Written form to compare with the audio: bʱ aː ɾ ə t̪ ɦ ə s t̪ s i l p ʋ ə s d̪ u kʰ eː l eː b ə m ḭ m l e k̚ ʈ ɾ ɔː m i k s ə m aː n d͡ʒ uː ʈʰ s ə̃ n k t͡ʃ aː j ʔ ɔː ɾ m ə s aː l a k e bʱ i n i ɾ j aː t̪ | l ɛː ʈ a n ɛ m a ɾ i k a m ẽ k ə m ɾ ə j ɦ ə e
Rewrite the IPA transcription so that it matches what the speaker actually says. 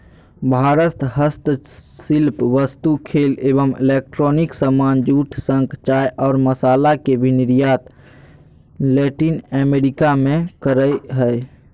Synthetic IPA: bʱ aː ɾ ə t̪ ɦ ə s t̪ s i l p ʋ ə s t̪ u kʰ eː l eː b ə m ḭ l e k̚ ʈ ɾ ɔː n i k s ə m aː n d͡ʒ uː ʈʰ s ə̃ ŋ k t͡ʃ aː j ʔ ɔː ɾ m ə s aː l a k e bʱ i n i ɾ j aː t̪ | l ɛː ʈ i n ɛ m e ɾ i k a m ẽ k ə ɾ ə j ɦ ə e